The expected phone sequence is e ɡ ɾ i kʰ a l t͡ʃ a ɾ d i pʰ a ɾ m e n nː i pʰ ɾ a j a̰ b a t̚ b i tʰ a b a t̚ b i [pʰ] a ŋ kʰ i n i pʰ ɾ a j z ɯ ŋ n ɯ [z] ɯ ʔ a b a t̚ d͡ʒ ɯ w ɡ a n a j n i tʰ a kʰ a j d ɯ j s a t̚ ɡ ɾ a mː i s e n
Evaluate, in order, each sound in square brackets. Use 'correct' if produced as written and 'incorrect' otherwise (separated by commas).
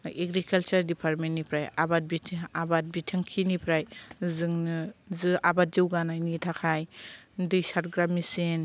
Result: incorrect, correct